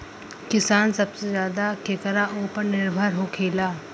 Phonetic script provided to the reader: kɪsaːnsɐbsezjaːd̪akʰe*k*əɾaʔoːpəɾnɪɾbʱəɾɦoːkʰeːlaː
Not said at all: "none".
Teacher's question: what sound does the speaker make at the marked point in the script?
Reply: k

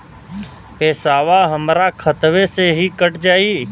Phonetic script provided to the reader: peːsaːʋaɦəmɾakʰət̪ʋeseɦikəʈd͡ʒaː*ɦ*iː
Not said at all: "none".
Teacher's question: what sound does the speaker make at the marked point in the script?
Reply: none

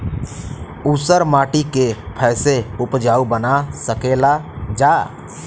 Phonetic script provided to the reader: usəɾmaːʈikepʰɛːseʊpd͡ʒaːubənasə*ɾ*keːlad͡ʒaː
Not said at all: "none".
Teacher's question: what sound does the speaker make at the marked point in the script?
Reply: none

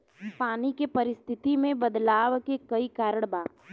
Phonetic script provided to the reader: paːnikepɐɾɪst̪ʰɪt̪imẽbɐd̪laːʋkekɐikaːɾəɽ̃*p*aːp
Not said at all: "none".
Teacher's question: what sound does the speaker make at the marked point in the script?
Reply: b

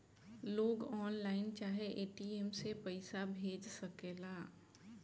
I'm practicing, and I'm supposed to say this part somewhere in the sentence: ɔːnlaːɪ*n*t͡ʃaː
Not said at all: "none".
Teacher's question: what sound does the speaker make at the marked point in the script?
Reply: n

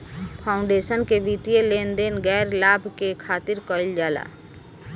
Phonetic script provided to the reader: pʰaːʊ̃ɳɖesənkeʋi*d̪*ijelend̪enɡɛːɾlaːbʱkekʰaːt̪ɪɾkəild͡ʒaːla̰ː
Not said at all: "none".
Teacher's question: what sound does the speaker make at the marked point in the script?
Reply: t̪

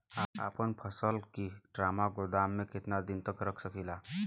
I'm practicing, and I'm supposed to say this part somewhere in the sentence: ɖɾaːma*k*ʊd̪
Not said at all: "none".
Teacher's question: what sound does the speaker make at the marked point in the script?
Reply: ɡ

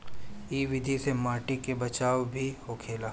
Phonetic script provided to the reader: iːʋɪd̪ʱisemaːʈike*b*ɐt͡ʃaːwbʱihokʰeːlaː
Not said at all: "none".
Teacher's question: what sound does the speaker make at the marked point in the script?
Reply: b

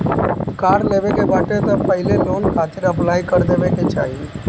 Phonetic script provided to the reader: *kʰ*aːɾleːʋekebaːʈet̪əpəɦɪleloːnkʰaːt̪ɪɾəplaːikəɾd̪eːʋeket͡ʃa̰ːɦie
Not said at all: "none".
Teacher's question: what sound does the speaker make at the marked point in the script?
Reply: k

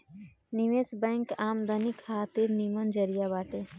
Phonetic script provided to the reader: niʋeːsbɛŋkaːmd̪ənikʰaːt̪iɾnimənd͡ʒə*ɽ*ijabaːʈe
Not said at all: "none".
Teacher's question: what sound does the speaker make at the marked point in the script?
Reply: ɾ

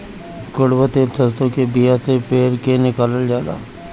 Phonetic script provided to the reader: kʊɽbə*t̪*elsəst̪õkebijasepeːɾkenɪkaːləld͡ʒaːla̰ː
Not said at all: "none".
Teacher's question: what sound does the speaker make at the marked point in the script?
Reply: t̪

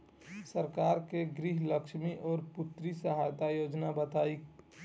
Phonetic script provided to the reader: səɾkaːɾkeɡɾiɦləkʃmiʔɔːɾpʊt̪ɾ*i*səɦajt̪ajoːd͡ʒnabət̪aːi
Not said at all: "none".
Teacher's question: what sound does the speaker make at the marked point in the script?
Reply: i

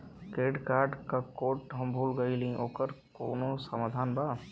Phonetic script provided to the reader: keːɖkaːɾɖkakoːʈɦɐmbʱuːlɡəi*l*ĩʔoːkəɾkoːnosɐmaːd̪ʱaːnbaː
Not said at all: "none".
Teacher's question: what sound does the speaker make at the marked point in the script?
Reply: l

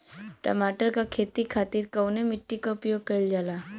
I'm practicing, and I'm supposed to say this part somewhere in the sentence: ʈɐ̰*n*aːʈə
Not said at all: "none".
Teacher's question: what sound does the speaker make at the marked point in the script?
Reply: m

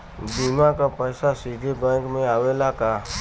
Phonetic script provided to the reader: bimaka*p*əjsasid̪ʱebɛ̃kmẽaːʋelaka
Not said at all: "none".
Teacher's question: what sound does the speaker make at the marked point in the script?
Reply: p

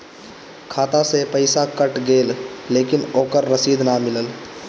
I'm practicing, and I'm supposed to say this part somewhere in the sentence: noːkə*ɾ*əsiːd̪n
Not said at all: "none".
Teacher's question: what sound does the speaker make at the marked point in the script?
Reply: ɾː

